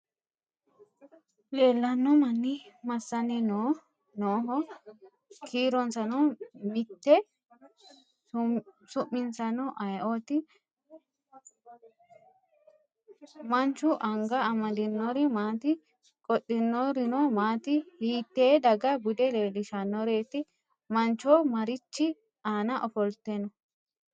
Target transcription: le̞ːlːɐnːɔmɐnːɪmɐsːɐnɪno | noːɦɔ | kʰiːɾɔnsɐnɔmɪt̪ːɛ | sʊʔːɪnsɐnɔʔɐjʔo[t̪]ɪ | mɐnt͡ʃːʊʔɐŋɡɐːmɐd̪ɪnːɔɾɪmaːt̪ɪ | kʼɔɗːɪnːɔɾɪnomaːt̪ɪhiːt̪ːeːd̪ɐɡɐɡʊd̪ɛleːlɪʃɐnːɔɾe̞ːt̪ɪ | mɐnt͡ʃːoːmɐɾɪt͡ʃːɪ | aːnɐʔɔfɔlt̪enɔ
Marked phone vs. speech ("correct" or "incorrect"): correct